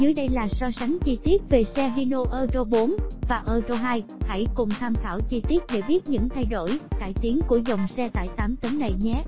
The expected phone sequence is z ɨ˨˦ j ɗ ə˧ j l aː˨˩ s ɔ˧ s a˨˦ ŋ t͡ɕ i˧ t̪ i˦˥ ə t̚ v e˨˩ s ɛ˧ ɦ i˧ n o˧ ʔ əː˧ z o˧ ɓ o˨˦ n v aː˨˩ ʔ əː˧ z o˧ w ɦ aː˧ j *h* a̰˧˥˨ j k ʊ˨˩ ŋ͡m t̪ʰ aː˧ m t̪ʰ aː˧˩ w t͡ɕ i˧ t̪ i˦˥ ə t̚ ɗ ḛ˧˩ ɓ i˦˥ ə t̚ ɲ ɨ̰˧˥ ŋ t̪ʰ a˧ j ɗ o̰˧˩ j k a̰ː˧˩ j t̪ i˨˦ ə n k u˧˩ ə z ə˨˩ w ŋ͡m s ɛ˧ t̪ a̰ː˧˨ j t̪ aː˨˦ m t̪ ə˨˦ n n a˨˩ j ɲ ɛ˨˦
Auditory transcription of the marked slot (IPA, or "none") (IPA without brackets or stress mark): h